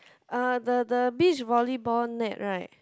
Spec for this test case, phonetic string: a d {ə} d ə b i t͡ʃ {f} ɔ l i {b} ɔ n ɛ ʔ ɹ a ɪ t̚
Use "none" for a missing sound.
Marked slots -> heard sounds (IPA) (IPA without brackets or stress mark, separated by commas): ə, v, b